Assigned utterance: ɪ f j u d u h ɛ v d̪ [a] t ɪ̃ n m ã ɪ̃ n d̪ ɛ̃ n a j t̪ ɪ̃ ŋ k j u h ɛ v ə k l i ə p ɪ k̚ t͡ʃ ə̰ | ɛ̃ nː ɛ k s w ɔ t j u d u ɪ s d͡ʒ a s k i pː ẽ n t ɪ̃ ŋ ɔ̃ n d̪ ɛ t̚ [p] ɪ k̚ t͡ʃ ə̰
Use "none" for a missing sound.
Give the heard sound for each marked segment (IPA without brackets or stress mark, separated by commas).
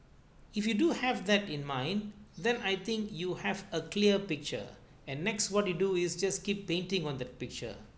ɛ, p